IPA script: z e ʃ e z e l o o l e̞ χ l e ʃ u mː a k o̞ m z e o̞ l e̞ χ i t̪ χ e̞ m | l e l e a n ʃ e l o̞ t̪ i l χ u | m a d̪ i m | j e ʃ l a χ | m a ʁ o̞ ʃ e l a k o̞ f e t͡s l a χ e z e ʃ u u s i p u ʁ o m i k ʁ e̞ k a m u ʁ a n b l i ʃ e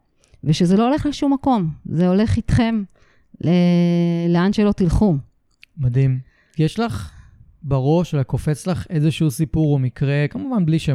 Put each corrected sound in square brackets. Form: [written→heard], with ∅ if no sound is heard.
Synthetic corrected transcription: [z→v] e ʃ e z e l o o l e̞ χ l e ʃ u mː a k o̞ m z e o̞ l e̞ χ i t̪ χ e̞ m | l e l e a n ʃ e l o̞ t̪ i l χ u | m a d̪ i m | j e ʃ l a χ | [m→b] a ʁ o̞ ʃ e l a k o̞ f e t͡s l a χ e z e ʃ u u s i p u ʁ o m i k ʁ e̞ k a m u [ʁ→v] a n b l i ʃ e